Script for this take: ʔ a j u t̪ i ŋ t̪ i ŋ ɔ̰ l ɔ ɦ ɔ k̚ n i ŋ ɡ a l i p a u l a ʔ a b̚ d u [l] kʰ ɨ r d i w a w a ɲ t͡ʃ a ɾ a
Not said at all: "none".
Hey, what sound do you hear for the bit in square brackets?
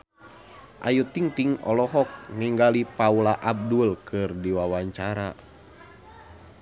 l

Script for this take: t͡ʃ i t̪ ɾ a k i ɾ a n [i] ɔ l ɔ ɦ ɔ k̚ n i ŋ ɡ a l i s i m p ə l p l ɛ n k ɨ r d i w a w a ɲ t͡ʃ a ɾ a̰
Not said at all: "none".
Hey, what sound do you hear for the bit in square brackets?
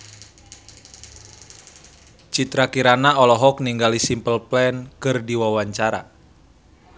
a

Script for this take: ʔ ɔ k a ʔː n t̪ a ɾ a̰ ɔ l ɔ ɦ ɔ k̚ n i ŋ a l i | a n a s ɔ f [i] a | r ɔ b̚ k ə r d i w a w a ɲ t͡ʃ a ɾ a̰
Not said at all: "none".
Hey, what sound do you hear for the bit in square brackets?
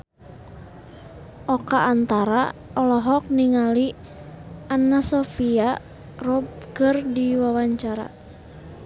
i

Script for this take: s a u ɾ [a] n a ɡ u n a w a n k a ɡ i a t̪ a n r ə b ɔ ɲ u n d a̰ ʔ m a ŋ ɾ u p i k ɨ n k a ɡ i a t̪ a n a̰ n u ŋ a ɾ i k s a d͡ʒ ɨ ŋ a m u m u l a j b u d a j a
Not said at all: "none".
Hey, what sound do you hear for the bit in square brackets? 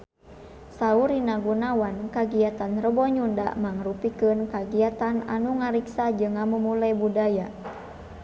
i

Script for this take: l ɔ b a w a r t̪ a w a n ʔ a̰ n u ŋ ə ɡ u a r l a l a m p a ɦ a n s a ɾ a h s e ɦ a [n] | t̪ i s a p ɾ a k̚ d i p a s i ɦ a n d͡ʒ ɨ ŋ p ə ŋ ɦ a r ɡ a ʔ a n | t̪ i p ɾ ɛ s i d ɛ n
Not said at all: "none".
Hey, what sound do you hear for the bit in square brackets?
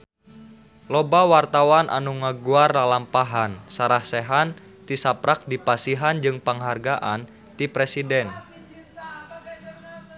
n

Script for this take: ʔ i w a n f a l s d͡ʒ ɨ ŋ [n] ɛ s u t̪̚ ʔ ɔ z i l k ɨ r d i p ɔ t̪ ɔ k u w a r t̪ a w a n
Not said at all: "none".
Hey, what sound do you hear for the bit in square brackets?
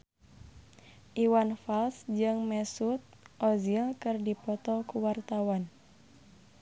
m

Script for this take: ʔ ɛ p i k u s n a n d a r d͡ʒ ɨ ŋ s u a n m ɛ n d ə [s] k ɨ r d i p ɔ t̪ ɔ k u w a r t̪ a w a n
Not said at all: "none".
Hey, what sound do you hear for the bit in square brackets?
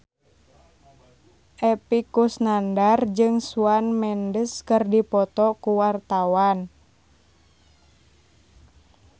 s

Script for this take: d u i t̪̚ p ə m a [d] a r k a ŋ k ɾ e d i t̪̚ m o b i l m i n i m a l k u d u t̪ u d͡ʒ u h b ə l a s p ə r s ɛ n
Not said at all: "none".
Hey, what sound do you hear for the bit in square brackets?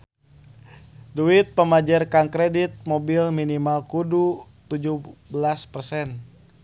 d͡ʒ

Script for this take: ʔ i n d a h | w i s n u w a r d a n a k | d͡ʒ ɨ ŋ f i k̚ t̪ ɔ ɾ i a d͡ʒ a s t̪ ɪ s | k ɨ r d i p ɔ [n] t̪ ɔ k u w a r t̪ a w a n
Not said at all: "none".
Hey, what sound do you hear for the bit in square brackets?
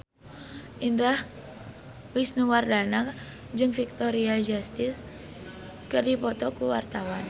none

